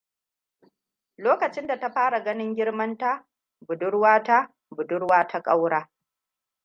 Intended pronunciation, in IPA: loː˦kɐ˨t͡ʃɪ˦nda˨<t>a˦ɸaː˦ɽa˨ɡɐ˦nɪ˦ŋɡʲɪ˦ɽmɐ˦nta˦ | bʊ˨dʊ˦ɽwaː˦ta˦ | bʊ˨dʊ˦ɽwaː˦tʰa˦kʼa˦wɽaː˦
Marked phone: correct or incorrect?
correct